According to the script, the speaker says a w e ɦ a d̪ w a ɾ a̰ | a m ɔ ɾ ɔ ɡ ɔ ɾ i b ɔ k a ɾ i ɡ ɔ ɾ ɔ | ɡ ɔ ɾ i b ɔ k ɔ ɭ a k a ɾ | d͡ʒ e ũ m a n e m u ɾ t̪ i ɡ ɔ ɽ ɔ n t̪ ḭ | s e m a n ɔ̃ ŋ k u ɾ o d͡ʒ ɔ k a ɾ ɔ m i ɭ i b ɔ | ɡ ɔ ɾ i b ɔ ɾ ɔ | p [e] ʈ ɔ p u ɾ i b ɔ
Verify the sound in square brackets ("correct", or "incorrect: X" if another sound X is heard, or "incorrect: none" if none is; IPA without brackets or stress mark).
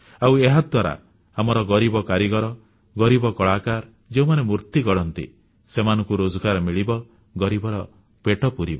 correct